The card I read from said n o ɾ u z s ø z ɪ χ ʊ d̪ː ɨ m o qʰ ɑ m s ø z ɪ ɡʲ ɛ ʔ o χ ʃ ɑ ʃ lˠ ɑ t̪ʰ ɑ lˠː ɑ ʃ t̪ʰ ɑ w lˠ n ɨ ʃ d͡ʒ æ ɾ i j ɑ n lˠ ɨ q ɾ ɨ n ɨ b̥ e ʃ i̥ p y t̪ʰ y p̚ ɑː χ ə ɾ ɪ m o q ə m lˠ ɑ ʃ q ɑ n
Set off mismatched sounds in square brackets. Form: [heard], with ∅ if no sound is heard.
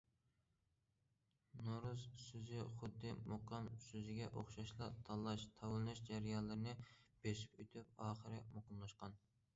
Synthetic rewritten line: n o ɾ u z s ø z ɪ χ ʊ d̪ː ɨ m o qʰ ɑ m s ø z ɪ ɡʲ ɛ ʔ o χ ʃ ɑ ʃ lˠ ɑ t̪ʰ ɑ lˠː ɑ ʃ t̪ʰ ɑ w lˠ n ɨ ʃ d͡ʒ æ ɾ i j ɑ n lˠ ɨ [∅] ɾ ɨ n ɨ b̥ e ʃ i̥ p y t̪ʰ y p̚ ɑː χ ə ɾ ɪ m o q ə m lˠ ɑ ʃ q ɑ n